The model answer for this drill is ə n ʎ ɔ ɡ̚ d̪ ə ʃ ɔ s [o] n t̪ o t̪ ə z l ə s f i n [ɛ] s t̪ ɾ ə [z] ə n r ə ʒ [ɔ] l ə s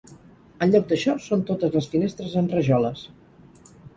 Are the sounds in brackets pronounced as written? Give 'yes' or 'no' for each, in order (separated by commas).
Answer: yes, no, yes, yes